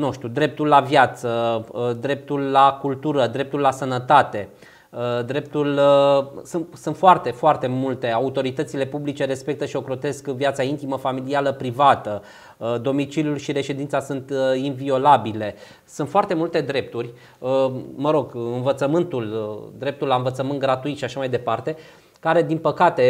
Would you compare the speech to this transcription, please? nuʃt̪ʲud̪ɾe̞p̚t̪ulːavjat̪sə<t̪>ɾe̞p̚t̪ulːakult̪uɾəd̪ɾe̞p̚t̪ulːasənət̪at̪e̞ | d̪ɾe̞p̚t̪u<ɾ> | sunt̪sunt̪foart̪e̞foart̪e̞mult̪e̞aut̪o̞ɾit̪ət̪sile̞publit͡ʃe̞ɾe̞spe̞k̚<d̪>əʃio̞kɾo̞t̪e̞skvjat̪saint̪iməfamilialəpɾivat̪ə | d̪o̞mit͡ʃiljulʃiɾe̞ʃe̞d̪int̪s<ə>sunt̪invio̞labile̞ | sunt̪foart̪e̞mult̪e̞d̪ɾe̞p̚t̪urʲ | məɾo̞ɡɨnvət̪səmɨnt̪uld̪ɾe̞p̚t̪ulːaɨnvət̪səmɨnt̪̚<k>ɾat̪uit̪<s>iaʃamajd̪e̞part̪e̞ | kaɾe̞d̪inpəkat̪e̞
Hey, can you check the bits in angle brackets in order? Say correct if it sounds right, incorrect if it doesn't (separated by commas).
incorrect, incorrect, incorrect, incorrect, incorrect, incorrect